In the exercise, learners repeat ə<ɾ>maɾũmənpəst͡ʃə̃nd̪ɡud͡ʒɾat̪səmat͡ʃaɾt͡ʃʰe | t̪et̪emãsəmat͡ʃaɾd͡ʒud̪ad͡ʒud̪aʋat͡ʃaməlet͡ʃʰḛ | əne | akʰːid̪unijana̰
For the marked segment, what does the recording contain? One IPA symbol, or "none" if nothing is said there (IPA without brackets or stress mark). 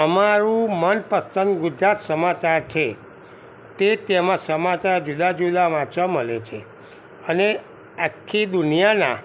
none